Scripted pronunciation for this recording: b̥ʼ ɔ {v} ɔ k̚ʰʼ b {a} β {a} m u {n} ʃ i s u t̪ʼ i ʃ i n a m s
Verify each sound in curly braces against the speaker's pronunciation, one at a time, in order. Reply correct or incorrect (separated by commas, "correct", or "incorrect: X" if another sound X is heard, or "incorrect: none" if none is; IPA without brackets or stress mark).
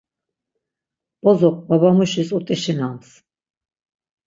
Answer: incorrect: z, correct, correct, incorrect: none